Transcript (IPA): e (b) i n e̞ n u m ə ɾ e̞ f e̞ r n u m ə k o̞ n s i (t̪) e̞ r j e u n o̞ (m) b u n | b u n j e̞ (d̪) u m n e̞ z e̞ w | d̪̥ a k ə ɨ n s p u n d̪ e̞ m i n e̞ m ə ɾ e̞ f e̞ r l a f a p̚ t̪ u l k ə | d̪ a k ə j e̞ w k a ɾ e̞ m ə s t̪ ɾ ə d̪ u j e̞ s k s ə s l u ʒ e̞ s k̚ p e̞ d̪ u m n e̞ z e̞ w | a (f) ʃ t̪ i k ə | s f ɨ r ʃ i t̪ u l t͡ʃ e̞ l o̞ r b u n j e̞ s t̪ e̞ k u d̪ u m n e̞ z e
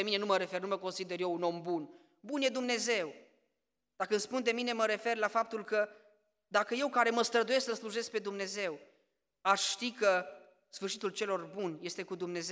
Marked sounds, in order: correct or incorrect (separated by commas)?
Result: incorrect, incorrect, correct, correct, incorrect